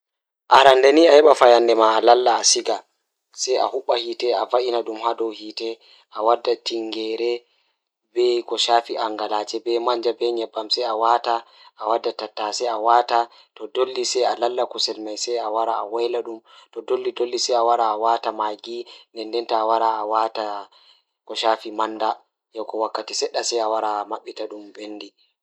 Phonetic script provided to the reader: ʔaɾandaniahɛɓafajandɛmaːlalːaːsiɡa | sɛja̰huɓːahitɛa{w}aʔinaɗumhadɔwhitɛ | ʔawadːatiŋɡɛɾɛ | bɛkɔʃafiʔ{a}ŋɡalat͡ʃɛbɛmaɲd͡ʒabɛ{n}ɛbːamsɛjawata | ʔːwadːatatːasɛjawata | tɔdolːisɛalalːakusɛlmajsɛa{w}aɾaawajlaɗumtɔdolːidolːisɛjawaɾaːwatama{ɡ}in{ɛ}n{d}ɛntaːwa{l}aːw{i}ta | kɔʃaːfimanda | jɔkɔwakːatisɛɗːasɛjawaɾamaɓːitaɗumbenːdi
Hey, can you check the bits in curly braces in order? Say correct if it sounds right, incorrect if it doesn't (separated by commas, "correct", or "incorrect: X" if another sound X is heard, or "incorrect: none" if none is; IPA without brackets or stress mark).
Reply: incorrect: v, correct, incorrect: ɲ, correct, correct, correct, correct, incorrect: ɾ, incorrect: a